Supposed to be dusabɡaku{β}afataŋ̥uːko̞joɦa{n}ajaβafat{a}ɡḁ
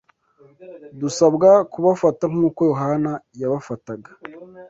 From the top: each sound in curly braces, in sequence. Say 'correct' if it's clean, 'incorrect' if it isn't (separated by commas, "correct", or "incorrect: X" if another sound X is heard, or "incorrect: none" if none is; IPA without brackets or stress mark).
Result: correct, correct, correct